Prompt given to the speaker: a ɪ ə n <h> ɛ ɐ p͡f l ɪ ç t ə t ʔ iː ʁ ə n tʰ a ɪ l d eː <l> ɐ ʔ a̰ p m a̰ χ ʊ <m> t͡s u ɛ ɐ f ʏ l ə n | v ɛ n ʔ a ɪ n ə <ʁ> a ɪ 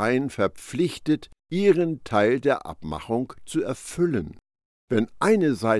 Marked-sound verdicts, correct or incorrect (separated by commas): incorrect, incorrect, incorrect, incorrect